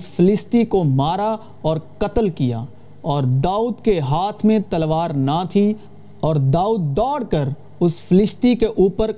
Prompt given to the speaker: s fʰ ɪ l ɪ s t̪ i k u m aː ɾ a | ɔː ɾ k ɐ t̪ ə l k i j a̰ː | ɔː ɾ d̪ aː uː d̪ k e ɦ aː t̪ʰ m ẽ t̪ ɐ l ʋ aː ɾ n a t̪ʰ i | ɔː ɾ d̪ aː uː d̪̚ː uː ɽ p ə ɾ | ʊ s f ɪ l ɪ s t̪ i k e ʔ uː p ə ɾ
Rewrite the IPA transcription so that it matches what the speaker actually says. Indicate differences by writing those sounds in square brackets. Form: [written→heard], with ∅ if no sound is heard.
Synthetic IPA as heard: s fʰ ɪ l ɪ s t̪ i k [u→o] m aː ɾ a | ɔː ɾ k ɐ t̪ ə l k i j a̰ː | ɔː ɾ d̪ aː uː d̪ k e ɦ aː t̪ʰ m ẽ t̪ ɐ l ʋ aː ɾ n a t̪ʰ i | ɔː ɾ d̪ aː uː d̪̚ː [uː→ɔː] ɽ [p→k] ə ɾ | ʊ s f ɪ l ɪ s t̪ i k e ʔ uː p ə ɾ